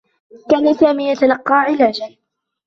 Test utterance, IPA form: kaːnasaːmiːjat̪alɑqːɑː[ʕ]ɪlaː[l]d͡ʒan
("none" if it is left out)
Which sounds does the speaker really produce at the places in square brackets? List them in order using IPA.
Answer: ʕ, none

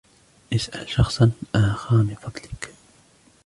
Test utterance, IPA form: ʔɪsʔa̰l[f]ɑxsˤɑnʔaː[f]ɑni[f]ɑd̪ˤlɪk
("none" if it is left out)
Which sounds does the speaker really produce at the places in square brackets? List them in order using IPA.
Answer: ʃ, x, f

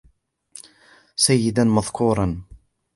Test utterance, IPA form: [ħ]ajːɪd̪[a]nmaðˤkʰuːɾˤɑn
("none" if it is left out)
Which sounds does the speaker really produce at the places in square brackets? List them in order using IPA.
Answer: s, a

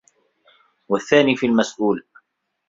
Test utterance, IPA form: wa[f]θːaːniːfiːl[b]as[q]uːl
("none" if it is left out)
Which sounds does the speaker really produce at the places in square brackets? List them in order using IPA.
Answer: none, m, ʔ

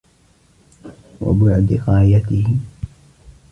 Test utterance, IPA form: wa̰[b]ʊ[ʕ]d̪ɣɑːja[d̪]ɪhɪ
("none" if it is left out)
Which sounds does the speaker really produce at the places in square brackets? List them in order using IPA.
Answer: b, ʕ, t̪

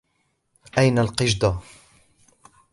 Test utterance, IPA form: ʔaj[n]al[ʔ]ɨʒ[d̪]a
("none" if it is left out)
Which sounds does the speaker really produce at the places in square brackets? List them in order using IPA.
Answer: n, q, d̪

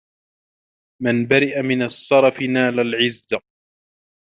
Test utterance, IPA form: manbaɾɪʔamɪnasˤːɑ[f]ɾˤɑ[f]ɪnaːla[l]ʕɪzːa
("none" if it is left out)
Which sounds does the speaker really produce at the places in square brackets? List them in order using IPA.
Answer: none, f, l

